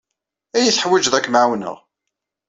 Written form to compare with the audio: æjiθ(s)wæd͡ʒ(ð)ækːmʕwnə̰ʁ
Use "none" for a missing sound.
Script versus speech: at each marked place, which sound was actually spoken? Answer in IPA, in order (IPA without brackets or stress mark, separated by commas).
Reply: ħ, ð